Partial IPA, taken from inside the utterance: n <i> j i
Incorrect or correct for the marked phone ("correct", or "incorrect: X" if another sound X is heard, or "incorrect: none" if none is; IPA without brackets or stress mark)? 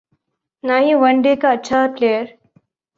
incorrect: a